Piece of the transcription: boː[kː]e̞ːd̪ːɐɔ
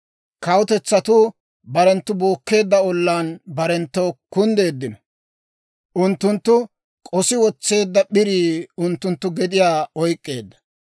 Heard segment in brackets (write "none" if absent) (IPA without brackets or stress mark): kː